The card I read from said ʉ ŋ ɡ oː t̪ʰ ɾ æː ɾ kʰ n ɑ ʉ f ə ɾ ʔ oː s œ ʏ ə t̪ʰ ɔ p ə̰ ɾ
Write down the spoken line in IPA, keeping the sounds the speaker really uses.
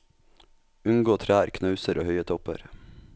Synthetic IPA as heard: ʉ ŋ ɡ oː t̪ʰ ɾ æː ɾ kʰ n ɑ ʉ s ə ɾ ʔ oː h œ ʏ ə t̪ʰ ɔ p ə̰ ɾ